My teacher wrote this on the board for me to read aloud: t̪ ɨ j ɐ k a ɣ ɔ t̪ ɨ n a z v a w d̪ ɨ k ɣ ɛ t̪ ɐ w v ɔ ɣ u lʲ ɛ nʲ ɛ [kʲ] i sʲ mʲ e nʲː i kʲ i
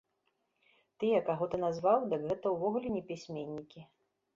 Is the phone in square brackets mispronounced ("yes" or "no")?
yes